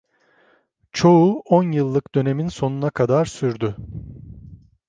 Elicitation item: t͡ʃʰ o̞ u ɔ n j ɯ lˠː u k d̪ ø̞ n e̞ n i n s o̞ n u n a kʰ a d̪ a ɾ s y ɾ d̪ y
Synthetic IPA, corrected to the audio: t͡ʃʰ o̞ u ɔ n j ɯ lˠː ɯ k d̪ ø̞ n e̞ m i n s o̞ n u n a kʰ a d̪ a ɾ s y ɾ d̪ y